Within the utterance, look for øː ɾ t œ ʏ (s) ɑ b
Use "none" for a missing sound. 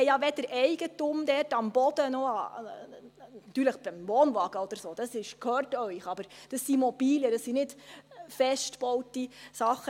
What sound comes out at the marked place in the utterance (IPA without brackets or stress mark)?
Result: χ